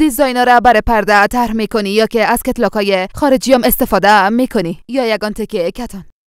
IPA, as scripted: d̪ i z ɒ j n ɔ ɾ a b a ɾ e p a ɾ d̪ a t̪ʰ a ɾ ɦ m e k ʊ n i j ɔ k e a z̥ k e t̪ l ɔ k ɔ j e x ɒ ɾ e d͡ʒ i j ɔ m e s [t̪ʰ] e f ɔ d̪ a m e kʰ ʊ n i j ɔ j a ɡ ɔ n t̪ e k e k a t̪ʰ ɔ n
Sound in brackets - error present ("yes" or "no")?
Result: yes